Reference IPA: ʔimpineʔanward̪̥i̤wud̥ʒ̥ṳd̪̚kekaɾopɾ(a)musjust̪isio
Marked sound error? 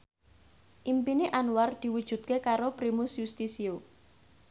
yes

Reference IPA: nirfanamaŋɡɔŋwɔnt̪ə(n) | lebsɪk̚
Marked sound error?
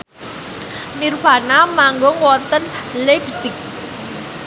no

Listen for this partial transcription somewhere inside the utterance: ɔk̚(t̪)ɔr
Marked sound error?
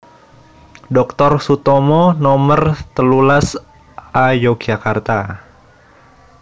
no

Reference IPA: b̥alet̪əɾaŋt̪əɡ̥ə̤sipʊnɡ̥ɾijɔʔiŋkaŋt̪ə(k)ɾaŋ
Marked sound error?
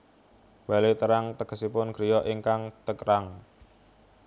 no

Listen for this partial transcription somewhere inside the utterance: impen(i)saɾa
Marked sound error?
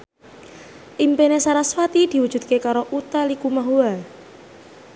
yes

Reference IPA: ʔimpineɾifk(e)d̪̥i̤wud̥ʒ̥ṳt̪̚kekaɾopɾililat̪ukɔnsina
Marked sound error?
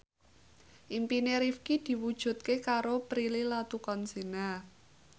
yes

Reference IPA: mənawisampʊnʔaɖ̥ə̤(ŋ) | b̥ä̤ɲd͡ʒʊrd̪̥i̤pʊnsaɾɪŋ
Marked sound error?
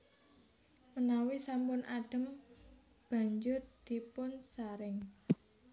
yes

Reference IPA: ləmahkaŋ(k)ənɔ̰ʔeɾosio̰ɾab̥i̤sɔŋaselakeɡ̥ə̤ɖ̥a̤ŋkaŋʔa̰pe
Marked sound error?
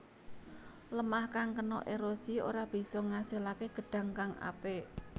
no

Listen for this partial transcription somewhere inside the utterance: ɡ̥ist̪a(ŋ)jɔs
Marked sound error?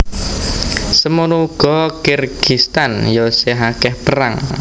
yes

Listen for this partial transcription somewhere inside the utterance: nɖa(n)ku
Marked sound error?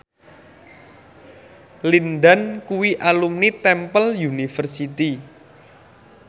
no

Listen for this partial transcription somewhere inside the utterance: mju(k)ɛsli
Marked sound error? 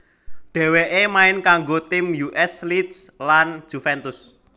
yes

